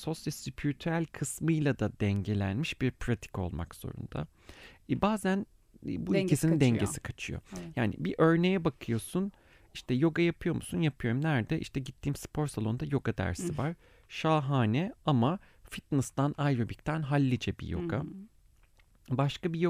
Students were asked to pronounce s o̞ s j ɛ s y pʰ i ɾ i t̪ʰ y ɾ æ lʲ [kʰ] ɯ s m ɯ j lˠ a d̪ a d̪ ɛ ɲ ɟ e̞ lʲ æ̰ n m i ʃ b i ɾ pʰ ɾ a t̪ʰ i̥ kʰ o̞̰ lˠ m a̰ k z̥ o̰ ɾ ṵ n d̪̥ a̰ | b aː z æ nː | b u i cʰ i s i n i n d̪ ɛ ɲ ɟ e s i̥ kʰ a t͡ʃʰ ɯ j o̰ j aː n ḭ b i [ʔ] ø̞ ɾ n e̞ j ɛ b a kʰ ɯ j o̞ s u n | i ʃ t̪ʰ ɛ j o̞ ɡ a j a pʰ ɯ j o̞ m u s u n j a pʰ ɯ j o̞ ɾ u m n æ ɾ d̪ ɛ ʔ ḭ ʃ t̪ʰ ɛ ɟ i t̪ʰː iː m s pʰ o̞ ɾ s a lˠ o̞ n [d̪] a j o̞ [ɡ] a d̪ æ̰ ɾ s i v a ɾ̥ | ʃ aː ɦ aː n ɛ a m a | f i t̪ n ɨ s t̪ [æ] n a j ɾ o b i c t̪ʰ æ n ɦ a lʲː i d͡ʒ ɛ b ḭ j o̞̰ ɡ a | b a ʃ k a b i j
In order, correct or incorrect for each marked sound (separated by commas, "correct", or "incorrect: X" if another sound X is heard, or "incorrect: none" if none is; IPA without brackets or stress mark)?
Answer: correct, correct, correct, correct, incorrect: a